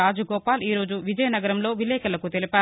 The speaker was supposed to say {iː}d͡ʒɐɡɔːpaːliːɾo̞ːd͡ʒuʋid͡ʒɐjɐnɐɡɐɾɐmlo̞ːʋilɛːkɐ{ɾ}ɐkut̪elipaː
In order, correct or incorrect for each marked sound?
incorrect: aː, incorrect: l

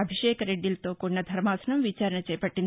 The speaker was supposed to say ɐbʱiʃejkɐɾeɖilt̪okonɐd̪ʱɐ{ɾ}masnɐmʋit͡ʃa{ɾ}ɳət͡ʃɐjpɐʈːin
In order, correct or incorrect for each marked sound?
correct, correct

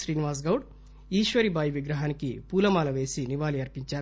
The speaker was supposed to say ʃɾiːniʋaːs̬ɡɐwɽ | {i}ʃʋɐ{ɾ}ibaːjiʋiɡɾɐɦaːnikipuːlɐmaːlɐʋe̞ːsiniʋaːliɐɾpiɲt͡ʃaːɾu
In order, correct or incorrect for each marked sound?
incorrect: iː, correct

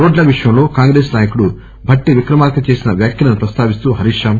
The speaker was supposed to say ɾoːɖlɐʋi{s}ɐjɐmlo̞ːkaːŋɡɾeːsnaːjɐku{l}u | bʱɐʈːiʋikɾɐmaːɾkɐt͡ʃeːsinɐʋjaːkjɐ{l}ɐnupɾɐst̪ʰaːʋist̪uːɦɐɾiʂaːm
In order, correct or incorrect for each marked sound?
incorrect: ʂ, incorrect: ɽ, correct

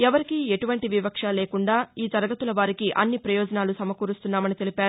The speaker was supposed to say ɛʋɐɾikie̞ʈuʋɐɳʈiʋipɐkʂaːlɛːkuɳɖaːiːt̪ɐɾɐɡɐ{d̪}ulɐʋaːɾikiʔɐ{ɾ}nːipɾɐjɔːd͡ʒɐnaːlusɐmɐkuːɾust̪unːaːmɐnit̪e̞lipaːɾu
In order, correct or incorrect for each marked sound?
incorrect: t̪, incorrect: none

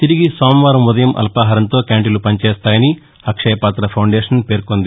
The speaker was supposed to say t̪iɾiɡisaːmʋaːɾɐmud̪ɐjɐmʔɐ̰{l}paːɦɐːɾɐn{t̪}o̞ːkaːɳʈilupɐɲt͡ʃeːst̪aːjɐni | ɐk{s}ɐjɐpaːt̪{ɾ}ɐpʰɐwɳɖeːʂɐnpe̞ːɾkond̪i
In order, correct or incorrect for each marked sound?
correct, correct, incorrect: ʂ, correct

